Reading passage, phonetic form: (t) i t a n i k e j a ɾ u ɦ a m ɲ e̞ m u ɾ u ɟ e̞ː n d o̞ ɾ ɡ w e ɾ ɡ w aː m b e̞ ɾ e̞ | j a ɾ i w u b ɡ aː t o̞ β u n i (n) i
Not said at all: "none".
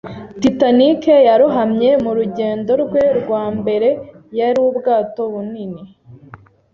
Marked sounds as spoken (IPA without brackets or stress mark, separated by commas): t, n